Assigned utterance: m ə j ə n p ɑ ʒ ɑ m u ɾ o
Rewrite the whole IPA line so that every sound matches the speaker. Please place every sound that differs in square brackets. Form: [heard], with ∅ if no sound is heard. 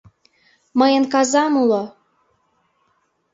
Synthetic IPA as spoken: m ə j ə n [k] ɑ [z] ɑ m u [l] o